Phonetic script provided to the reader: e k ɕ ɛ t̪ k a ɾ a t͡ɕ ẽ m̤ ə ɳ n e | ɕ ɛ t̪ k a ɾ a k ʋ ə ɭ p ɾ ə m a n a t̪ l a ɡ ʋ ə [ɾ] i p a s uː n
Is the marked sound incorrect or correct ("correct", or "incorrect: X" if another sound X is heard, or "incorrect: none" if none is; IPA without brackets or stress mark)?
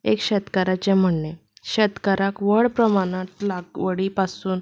incorrect: ɽ